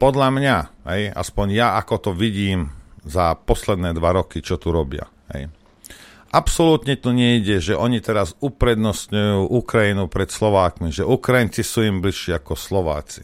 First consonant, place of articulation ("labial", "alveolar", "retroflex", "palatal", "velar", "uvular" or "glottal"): labial